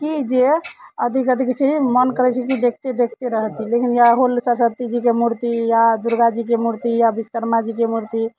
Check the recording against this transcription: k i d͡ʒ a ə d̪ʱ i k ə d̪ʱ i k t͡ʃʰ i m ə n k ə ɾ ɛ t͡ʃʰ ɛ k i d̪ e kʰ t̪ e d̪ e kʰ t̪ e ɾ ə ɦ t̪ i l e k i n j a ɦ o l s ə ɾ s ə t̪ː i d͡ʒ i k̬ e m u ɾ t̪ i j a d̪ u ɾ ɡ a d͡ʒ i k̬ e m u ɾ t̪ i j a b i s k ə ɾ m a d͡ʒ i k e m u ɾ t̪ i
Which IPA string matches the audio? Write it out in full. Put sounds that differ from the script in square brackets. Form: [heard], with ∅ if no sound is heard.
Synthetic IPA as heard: k i d͡ʒ [e] ə d̪ʱ i k ə d̪ʱ i k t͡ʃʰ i m ə n k ə ɾ ɛ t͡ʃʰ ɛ k i d̪ e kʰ t̪ e d̪ e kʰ t̪ e ɾ ə ɦ t̪ i l e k i n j a ɦ o l s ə ɾ s ə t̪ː i d͡ʒ i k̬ e m u ɾ t̪ i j a d̪ u ɾ ɡ a d͡ʒ i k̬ e m u ɾ t̪ i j a b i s k ə ɾ m a d͡ʒ i k e m u ɾ t̪ i